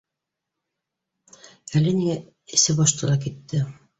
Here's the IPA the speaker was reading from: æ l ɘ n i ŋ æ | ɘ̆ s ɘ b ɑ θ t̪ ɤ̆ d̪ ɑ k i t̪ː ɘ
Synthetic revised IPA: æ l ɘ n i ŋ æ | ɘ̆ s ɘ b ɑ ʃ t̪ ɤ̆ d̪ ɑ k i t̪ː ɘ